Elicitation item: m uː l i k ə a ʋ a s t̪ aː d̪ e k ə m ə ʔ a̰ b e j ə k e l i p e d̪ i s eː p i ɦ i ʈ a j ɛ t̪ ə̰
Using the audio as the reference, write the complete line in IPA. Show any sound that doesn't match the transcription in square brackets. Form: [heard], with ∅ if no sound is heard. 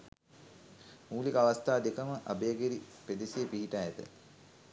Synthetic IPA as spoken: m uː l i k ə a ʋ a s t̪ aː d̪ e k ə m ə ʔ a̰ b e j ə [ɡ] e [ɾ] i p e d̪ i s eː p i ɦ i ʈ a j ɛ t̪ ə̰